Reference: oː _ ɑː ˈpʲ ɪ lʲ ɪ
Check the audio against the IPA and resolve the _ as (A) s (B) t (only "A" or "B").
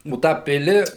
B